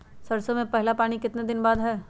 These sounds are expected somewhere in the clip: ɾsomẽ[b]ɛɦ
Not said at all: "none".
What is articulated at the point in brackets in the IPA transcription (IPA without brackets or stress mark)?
p